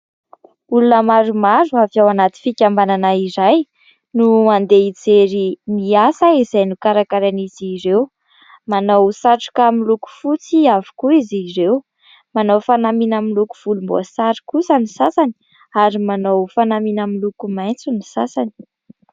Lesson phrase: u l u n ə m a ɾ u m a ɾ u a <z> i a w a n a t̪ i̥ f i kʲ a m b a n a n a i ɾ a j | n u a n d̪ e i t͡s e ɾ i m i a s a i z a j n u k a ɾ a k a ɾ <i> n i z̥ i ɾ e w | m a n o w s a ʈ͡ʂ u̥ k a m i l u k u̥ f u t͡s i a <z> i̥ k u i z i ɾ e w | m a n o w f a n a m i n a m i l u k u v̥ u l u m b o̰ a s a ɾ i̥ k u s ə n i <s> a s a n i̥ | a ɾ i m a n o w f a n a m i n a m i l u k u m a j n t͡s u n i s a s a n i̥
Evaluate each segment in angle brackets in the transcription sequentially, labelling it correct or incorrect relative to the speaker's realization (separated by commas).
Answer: incorrect, incorrect, incorrect, correct